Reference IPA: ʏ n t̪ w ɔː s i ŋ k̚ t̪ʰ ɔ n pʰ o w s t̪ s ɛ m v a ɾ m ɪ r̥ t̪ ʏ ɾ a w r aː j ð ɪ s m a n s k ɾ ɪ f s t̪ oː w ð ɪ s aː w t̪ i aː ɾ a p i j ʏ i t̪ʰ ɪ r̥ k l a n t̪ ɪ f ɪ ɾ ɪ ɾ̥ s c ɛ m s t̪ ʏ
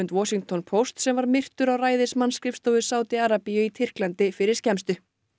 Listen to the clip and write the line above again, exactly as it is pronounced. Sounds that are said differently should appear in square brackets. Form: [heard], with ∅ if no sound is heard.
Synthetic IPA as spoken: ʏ n t̪ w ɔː s i ŋ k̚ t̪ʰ ɔ n pʰ o w s t̪ s ɛ m v a ɾ m ɪ r̥ t̪ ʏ ɾ a w r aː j ð ɪ s m a n s k ɾ ɪ f s t̪ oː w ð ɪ s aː w t̪ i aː ɾ a p i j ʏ i t̪ʰ ɪ r̥ k l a n t̪ ɪ f ɪ ɾ ɪ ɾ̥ s c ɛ m s t̪ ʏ